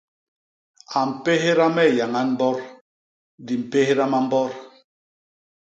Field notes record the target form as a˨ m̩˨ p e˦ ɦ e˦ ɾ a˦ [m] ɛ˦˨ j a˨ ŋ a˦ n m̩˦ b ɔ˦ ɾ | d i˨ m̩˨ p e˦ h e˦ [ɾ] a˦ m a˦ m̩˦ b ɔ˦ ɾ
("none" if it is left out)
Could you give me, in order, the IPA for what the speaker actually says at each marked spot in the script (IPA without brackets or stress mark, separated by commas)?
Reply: m, ɾ